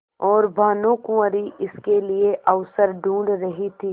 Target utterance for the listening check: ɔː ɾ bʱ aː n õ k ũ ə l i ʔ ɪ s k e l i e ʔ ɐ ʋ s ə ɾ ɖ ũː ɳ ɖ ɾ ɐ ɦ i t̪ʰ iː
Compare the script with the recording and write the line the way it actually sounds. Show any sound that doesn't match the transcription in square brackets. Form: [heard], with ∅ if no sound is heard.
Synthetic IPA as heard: ɔː ɾ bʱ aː n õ k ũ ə [ɾ] i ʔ ɪ s k e l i e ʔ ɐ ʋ s ə ɾ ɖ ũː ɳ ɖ ɾ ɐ ɦ i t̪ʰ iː